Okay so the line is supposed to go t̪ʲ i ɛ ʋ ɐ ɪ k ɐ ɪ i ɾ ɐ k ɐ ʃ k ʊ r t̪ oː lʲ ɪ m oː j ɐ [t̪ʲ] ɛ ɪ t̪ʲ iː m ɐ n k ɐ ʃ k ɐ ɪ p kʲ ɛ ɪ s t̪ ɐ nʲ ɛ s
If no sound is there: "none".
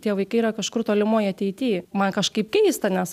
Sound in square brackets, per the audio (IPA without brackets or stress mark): t̪ʲ